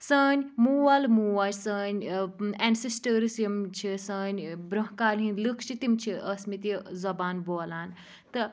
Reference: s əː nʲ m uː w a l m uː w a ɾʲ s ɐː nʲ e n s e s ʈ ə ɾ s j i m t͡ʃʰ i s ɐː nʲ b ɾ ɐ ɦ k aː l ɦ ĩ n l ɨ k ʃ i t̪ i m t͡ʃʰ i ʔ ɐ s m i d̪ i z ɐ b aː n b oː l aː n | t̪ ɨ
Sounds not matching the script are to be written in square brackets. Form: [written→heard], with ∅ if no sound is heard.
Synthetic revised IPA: s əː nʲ m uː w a l m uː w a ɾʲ s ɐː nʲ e n s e s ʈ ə ɾ s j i m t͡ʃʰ i s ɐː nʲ b ɾ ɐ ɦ k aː l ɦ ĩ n l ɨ k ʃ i t̪ i m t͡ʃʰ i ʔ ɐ s m i [d̪→t̪] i z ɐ b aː n b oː l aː n | t̪ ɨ